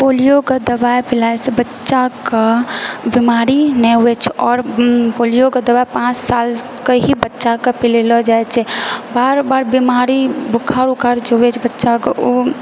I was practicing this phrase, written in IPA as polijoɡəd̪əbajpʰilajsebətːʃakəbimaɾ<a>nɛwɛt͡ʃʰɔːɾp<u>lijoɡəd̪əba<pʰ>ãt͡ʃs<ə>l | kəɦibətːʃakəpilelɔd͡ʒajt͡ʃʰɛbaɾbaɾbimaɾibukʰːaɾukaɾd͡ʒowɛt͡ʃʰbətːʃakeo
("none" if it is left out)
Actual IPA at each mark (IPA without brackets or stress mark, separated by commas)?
i, o, p, a